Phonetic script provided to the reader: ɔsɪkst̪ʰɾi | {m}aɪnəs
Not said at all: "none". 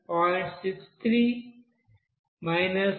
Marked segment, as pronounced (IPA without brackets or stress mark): m